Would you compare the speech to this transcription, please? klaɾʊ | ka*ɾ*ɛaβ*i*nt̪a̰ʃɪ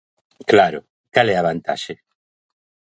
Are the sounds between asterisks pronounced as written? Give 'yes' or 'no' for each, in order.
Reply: no, no

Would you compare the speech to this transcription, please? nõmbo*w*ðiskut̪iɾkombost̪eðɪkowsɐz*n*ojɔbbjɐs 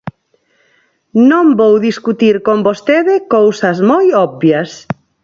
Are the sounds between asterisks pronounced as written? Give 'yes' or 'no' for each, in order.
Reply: yes, no

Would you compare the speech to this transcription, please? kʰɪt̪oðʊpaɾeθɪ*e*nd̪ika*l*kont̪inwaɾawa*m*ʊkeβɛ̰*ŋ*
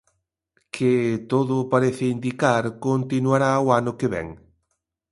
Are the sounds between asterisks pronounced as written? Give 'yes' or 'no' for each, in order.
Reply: no, no, no, yes

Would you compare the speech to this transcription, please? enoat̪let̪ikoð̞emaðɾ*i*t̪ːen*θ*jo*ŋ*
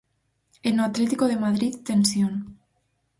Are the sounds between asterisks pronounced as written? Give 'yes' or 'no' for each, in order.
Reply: yes, no, no

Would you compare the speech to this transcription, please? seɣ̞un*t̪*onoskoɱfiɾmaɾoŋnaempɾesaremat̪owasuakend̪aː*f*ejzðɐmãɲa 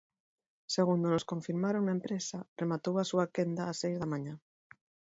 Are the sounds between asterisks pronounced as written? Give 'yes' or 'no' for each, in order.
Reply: no, no

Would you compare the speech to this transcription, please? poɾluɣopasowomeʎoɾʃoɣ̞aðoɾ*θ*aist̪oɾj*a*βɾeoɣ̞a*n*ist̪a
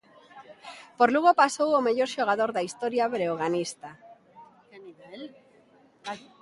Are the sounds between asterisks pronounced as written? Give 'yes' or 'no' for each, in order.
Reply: no, yes, yes

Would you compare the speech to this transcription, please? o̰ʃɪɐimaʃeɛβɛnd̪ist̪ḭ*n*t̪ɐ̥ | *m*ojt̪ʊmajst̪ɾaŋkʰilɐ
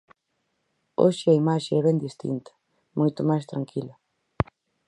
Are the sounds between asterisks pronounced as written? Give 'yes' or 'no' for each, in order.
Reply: yes, yes

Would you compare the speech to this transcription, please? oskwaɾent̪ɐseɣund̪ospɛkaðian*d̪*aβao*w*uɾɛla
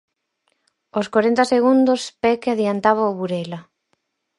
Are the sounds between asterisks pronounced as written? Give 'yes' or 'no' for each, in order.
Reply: no, no

